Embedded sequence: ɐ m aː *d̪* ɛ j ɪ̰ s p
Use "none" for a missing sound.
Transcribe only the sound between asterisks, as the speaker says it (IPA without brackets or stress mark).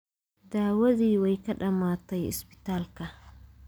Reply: t̪